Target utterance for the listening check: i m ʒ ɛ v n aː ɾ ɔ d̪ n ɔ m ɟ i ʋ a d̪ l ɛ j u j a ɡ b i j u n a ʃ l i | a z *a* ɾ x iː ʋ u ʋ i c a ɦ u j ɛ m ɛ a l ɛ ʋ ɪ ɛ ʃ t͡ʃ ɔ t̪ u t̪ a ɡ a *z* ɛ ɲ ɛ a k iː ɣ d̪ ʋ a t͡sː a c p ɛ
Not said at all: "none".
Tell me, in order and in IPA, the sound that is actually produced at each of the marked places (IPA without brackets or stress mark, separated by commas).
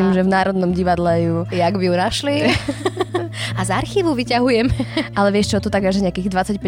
a, ʒ